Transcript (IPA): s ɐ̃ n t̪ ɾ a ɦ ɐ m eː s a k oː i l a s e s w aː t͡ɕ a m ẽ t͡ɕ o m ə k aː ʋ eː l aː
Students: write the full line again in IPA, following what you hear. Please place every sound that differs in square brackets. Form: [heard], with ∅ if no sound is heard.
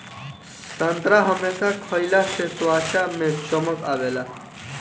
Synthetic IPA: s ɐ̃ n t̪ ɾ a ɦ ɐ m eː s a [kʰ] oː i l a s e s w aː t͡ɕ a m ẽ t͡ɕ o m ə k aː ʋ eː l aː